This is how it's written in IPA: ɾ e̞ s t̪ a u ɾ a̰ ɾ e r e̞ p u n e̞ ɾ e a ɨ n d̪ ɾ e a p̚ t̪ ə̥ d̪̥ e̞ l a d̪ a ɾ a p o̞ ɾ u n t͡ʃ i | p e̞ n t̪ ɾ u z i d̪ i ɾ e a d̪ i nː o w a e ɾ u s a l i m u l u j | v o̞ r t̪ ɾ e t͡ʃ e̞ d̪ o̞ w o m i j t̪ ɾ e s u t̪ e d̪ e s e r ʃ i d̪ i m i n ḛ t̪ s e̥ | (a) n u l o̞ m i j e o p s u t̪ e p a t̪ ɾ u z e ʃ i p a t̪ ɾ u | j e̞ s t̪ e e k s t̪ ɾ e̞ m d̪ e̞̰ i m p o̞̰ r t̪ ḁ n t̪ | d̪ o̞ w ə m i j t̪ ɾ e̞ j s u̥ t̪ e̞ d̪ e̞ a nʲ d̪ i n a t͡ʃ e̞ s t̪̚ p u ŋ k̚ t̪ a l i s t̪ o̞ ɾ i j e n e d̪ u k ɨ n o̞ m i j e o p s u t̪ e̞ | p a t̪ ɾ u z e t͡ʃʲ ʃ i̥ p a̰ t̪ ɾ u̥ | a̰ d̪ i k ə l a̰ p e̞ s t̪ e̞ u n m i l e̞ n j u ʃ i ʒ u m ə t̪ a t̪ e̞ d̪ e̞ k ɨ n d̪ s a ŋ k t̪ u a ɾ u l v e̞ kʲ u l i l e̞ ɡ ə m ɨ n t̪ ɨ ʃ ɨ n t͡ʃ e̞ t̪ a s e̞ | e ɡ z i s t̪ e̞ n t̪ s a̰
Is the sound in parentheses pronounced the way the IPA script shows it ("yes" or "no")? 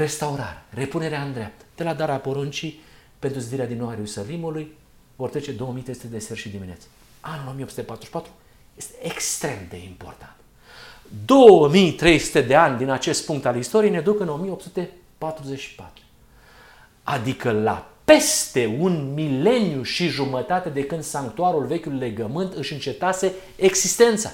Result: yes